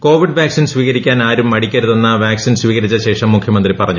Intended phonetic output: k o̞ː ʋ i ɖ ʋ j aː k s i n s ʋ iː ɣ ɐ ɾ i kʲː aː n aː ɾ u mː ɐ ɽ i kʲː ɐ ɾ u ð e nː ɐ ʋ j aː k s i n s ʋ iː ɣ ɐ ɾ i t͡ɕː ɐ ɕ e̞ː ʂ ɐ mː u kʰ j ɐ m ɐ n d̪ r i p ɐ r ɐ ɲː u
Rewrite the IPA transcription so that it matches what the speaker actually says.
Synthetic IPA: k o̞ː ʋ i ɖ ʋ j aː k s i n s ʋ iː ɣ ɐ ɾ i kʲː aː n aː ɾ u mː ɐ ɽ i kʲː ɐ ɾ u ð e nː ɐ ʋ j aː k s i n s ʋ iː ɣ ɐ ɾ i t͡ɕː ɐ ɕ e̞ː ʂ ɐ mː u kʰ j ɐ m ɐ n d̪ r i p ɐ r ɐ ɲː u